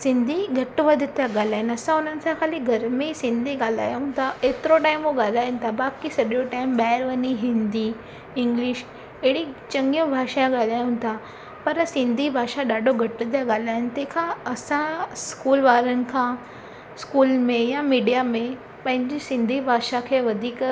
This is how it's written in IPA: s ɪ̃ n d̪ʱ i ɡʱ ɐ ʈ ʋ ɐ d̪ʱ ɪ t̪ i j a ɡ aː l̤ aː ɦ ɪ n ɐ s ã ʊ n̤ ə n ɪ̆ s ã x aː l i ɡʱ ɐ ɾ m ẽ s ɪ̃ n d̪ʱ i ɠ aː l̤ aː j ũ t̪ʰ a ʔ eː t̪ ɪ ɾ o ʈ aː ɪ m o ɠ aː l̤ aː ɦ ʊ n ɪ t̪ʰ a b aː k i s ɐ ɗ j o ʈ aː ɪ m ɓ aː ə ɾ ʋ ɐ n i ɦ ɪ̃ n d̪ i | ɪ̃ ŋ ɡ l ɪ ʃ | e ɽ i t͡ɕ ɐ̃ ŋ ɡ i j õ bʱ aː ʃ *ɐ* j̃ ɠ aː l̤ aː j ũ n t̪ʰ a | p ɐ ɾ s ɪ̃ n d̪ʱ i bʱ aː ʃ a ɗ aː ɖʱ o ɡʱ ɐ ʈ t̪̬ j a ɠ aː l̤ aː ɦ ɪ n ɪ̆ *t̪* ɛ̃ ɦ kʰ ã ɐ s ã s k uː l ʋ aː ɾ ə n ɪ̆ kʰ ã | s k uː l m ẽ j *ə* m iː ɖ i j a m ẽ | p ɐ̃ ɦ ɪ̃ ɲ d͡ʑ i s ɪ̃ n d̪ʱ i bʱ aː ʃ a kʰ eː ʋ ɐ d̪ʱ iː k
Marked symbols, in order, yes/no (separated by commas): no, yes, no